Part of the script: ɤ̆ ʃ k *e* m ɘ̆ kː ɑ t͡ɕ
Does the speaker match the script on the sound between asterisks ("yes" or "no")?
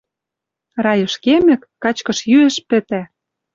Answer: yes